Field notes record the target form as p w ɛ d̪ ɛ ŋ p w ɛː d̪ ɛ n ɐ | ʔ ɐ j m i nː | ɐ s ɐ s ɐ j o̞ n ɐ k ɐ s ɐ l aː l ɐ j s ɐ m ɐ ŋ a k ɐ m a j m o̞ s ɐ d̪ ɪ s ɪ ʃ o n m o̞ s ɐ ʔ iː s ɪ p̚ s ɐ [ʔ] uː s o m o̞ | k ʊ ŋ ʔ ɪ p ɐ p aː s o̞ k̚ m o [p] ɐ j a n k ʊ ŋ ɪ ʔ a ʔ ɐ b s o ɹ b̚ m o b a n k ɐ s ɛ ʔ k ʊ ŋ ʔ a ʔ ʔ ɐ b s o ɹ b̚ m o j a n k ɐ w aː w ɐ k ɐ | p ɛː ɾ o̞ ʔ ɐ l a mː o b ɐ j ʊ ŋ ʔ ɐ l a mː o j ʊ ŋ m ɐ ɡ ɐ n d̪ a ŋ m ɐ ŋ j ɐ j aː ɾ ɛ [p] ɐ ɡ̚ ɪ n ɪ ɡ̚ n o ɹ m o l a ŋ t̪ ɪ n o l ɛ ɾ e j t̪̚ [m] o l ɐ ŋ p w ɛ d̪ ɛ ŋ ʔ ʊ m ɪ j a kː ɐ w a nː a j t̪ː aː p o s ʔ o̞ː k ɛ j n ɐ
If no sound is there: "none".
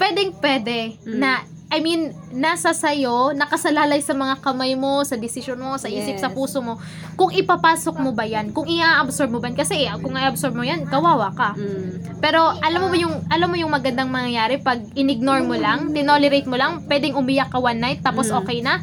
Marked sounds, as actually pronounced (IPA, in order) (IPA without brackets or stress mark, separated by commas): p, b, p, m